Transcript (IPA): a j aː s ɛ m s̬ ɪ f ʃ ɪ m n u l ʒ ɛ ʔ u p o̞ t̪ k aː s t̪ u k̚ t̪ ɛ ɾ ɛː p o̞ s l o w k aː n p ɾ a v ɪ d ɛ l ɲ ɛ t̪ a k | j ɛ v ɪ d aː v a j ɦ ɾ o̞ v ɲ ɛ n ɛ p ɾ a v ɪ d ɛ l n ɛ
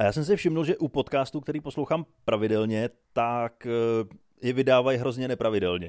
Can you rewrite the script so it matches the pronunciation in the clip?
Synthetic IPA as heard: a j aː s ɛ m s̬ ɪ f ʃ ɪ m n u l ʒ ɛ ʔ u p o̞ t̪ k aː s t̪ u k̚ t̪ ɛ ɾ iː p o̞ s l o w x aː m p ɾ a v ɪ d ɛ l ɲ ɛ t̪ a k | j ɛ v ɪ d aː v a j ɦ ɾ o̞ z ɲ ɛ n ɛ p ɾ a v ɪ d ɛ l ɲ ɛ